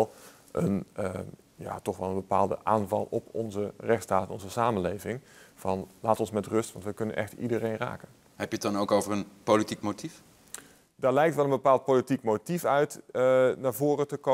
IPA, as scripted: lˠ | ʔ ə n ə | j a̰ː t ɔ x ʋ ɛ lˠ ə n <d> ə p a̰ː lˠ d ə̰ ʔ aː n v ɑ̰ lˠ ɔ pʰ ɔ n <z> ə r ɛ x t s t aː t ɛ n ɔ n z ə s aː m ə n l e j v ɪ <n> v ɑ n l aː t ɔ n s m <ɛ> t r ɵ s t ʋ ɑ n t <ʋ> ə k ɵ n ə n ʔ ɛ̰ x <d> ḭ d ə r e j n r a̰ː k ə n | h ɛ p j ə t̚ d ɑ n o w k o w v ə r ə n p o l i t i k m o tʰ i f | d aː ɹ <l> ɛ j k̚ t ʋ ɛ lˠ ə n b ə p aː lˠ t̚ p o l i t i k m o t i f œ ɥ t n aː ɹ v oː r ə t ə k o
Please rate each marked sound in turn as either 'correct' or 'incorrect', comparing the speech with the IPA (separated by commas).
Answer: incorrect, correct, incorrect, correct, correct, incorrect, correct